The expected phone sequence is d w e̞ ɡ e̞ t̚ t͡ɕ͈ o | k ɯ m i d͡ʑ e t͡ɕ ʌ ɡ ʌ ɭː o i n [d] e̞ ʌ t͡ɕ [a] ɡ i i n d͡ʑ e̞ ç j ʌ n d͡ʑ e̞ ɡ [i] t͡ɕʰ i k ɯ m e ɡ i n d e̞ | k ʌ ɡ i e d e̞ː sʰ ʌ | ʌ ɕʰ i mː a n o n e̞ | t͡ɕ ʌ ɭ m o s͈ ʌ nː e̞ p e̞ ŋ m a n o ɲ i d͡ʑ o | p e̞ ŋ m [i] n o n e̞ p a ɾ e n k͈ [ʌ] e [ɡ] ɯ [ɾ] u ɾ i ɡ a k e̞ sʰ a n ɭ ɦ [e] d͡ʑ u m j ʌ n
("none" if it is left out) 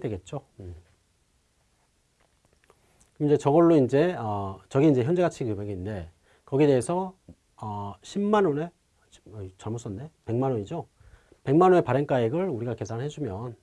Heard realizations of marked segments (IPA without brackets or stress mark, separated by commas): d͡ʑ, ʌ, a, a, a, ɡ, ɭ, e